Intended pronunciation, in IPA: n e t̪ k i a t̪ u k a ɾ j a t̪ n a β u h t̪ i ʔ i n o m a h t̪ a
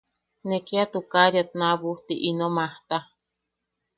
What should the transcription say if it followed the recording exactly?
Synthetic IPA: n e k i a t̪ u k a ɾ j a t̪ n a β u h t̪ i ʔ i n o m a h t̪ a